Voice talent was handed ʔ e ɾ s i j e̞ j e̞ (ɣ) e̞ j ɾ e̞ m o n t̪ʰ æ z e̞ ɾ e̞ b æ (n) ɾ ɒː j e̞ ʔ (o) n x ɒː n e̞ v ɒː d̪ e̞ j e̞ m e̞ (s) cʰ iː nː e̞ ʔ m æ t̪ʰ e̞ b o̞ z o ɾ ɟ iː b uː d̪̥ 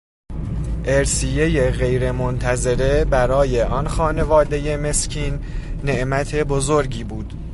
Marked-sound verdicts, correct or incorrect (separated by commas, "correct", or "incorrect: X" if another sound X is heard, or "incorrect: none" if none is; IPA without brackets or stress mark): correct, incorrect: none, incorrect: ɒ, correct